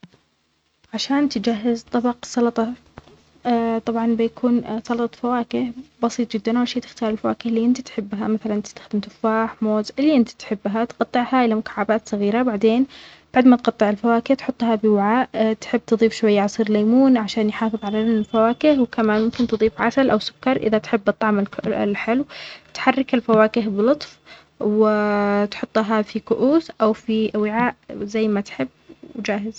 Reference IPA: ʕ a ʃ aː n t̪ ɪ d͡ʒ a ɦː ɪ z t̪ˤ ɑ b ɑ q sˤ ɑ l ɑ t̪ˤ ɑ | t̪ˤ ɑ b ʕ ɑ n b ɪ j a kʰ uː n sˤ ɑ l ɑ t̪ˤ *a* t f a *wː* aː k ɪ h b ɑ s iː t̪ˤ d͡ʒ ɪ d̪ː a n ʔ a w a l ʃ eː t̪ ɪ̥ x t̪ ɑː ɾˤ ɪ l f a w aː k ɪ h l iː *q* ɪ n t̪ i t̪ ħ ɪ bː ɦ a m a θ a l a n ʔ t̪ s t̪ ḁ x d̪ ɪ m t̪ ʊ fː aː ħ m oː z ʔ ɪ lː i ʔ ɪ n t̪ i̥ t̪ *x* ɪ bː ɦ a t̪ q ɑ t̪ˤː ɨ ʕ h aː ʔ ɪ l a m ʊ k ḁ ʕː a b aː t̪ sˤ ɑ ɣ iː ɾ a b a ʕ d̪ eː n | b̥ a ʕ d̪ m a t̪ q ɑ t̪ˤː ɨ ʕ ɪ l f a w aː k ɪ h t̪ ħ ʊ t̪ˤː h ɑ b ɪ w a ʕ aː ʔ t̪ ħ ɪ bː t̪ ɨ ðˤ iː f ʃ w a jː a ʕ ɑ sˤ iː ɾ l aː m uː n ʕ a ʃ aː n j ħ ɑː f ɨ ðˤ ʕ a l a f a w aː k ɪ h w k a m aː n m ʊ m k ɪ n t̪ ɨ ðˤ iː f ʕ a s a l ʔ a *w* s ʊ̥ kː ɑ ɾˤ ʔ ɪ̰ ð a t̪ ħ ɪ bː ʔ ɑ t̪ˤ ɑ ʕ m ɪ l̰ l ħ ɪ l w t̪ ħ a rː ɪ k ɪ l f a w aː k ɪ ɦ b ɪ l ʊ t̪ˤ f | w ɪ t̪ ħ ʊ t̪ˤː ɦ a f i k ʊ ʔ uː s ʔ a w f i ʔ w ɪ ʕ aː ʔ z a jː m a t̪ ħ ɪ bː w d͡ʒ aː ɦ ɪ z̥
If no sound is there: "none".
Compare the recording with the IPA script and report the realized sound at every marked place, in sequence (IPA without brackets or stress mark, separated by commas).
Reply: ɑ, w, ʔ, ħ, w